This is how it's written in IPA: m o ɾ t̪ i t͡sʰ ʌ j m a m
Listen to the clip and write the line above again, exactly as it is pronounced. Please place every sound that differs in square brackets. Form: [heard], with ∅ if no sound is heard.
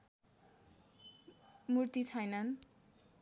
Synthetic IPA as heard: m [u] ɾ t̪ i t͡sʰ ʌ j [n] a [n]